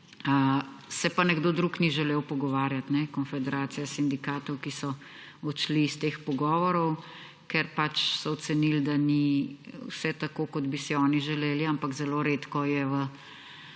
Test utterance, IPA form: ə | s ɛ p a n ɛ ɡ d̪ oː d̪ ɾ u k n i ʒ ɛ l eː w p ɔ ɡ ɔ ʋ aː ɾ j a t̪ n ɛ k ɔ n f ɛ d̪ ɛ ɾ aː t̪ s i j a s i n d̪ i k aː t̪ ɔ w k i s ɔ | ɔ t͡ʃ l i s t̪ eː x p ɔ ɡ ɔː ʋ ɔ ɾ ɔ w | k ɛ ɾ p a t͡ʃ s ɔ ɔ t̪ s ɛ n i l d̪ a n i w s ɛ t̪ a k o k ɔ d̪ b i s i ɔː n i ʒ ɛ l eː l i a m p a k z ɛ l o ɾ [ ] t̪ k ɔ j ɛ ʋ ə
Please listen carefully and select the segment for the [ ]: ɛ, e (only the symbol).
e